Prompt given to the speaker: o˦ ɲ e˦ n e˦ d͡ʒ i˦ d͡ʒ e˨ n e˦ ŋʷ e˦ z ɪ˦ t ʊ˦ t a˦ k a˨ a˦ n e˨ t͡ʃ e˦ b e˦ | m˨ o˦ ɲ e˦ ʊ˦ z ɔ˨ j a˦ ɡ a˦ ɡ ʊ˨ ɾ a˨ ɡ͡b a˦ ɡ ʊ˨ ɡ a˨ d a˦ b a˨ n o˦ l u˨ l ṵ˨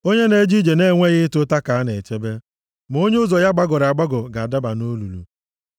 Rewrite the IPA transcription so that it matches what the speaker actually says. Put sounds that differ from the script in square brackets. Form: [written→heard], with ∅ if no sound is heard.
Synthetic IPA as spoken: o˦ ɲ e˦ n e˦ d͡ʒ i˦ d͡ʒ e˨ n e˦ ŋʷ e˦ [z→ɣ] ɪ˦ t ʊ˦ t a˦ k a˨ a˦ n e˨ t͡ʃ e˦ b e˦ | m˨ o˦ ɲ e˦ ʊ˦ z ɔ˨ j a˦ [ɡ→ɡ͡b] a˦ ɡ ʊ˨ ɾ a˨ ɡ͡b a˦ ɡ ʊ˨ ɡ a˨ d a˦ b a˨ n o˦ l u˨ l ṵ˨